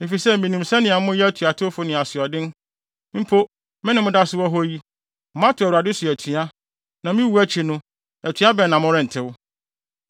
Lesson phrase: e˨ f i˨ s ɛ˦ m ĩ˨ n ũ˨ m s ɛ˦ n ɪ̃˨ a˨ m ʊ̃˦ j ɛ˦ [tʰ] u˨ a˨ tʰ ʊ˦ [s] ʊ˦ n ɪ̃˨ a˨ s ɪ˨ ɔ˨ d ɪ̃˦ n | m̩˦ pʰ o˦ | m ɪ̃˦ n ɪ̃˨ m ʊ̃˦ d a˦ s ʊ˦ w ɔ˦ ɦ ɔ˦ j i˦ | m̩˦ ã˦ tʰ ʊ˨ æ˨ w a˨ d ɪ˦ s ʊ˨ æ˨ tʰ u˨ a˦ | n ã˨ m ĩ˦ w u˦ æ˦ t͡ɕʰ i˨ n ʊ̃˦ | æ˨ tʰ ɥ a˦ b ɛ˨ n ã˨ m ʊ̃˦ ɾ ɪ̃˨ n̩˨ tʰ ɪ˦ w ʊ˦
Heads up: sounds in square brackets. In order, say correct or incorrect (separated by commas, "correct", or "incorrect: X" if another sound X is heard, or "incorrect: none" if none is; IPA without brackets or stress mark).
correct, incorrect: f